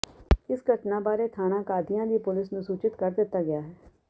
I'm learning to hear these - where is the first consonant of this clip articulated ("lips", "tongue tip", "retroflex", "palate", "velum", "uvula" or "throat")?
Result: tongue tip